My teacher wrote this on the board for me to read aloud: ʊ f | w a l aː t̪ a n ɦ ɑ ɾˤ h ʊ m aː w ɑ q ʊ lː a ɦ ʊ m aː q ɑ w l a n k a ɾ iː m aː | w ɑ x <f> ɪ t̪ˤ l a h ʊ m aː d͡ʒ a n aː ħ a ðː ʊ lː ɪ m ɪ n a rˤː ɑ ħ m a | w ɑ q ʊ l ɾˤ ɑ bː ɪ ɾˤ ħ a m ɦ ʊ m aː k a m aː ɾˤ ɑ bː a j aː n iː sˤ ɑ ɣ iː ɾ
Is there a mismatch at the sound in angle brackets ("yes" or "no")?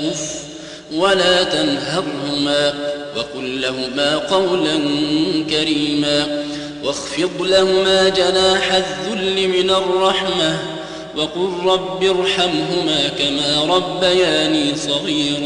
no